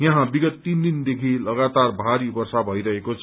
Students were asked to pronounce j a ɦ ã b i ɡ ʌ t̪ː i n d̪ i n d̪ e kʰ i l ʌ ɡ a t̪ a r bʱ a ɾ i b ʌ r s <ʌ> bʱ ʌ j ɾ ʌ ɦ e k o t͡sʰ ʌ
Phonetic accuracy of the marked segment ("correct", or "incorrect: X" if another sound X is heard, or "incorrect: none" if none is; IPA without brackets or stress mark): incorrect: a